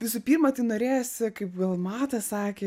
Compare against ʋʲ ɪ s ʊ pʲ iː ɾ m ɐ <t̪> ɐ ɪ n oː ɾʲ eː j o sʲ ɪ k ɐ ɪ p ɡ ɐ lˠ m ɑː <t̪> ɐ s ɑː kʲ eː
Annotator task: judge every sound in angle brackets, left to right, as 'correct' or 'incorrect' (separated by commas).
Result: correct, correct